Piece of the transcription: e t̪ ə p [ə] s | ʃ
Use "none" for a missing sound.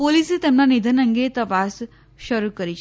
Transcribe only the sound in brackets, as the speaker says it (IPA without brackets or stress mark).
a